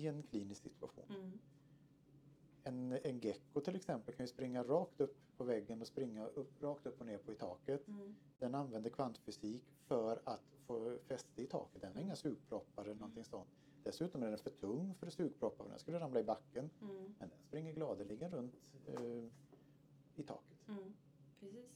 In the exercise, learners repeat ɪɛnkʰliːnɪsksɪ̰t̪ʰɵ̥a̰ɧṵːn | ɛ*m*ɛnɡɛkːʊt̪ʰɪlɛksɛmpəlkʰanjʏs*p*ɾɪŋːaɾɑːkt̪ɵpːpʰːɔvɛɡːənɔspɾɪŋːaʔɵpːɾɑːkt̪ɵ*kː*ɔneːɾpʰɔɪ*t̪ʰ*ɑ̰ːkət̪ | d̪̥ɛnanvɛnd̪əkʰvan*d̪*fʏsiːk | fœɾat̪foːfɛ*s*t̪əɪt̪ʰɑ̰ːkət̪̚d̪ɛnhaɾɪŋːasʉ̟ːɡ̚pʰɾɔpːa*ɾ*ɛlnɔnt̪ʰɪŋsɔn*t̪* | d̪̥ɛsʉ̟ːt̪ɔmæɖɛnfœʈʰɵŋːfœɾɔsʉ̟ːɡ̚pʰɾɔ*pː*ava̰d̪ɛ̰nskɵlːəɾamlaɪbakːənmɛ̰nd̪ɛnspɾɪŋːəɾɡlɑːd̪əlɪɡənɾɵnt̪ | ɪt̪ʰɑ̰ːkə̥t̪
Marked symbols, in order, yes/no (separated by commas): no, yes, no, yes, no, yes, yes, yes, yes